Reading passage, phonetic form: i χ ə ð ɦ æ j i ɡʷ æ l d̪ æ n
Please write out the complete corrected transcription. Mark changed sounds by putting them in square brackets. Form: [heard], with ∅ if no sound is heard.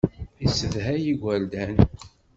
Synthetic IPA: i [s] ə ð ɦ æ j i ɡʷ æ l d̪ æ n

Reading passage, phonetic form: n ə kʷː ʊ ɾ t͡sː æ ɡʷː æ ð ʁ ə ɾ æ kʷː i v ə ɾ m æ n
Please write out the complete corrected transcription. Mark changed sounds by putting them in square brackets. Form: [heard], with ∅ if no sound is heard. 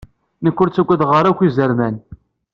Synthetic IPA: n ə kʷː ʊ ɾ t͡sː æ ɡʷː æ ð ʁ ə ɾ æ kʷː i [z] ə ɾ m æ n

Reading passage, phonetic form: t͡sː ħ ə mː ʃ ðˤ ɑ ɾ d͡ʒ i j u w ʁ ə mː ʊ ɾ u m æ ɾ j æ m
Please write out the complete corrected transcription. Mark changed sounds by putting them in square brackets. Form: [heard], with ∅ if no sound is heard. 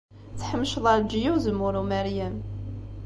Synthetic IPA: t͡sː ħ ə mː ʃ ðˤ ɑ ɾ d͡ʒ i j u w [z] ə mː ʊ ɾ u m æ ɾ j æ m

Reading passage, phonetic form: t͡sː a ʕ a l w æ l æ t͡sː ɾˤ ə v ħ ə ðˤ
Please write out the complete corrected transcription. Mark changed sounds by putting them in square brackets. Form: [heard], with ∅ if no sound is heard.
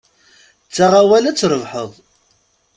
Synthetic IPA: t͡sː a [ʁ] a [∅] w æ l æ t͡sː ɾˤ ə v ħ ə ðˤ

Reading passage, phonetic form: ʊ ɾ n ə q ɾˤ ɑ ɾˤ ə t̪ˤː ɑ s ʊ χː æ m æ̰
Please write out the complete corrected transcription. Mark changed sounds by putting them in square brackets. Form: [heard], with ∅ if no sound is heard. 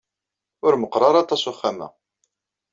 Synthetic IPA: ʊ ɾ [m] ə q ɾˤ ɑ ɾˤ [ɑ] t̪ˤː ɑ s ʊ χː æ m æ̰

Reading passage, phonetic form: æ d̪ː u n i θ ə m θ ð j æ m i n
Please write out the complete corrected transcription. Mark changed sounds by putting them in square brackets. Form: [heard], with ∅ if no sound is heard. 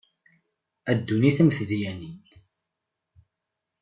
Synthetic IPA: æ d̪ː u n i θ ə m θ ð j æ [n] i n

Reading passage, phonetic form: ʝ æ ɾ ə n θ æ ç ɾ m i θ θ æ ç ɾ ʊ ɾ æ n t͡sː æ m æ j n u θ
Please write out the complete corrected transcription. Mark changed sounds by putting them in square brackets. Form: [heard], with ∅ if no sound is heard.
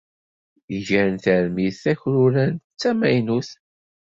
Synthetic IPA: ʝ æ ɾ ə n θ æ [∅] ɾ m i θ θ æ ç ɾ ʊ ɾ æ n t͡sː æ m æ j n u θ

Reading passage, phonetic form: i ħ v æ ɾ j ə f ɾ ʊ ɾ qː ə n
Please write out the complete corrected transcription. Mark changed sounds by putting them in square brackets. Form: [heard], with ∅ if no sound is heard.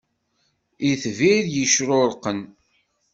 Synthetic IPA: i [θ] v [i] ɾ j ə [ʃ] ɾ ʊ ɾ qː ə n

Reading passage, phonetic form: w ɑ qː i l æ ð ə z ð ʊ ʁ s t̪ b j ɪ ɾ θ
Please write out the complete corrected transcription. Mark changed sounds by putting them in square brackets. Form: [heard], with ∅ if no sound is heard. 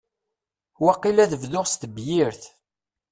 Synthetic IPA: w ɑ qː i l æ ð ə [v] ð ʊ ʁ s t̪ b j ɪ ɾ θ

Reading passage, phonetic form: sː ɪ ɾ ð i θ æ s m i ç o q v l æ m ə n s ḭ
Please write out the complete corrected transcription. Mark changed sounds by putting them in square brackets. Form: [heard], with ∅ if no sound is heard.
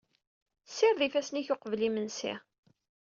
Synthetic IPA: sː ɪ ɾ ð i [f] æ s [n] i ç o q v l [i] m ə n s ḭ

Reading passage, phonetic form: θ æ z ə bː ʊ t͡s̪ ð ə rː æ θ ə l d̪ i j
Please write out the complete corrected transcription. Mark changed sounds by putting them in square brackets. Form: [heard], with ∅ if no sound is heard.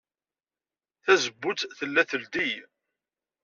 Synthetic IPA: θ æ z ə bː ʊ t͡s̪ [θ] ə [lː] æ θ ə l d̪ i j

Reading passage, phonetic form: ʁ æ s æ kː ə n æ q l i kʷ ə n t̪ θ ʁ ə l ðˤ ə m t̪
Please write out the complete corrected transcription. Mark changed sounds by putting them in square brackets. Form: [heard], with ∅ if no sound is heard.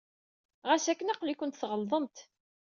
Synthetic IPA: ʁ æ s æ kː ə n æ q l i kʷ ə n t̪ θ ʁ ə l ðˤ ə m t̪

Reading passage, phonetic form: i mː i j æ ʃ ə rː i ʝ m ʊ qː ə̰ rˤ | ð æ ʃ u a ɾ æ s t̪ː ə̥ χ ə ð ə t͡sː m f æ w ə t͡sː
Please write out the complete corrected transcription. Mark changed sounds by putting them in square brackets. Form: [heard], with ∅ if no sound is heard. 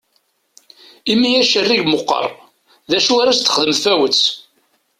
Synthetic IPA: i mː i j æ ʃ ə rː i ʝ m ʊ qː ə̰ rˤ | ð æ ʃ u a ɾ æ s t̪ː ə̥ χ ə ð ə [∅] m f æ w ə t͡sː

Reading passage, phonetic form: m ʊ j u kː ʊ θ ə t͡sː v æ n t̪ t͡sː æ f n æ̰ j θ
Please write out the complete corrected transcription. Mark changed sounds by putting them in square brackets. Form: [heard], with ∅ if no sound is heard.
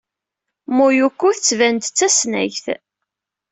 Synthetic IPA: m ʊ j u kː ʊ θ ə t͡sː v æ n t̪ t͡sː æ [s] n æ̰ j θ

